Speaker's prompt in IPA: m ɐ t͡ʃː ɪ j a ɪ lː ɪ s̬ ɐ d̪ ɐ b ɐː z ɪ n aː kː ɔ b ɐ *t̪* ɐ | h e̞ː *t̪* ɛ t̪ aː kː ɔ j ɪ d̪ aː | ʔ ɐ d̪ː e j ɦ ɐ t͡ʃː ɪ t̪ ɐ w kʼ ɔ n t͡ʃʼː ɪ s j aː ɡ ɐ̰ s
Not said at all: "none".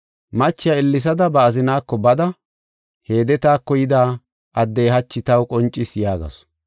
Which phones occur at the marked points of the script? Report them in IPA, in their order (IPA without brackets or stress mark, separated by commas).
d̪, d̪